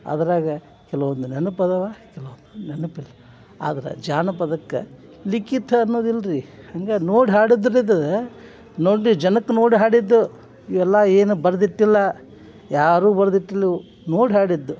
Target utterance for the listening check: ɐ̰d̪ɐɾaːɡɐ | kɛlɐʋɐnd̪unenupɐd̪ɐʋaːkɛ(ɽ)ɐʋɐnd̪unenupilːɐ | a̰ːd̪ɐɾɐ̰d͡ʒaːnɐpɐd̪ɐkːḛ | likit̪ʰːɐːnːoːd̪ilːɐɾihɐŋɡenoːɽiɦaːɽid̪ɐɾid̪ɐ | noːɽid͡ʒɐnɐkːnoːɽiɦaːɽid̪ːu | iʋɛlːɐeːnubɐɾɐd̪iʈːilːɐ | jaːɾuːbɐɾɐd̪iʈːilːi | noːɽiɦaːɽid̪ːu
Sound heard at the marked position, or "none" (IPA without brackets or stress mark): l